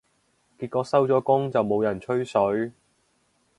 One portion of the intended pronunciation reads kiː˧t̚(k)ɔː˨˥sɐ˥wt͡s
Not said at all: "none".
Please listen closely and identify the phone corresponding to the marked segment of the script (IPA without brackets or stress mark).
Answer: k